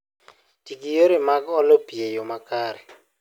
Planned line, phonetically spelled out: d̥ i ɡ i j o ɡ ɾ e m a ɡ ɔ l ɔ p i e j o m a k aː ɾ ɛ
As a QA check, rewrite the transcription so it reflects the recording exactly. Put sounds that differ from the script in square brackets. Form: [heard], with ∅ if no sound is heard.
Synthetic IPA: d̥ i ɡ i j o [∅] ɾ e m a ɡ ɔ l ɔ p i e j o m a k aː ɾ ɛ